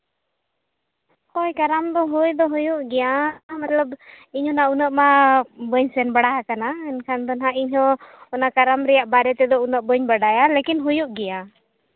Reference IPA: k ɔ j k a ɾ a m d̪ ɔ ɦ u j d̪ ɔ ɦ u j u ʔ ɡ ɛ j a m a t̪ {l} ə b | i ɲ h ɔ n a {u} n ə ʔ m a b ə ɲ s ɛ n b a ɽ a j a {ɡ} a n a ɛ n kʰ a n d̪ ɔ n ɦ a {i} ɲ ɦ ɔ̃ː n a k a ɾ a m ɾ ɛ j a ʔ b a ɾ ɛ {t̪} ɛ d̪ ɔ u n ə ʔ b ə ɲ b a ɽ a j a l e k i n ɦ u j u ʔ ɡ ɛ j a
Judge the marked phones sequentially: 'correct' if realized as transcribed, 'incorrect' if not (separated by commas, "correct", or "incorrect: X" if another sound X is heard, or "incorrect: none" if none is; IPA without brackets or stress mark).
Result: correct, correct, incorrect: k, correct, correct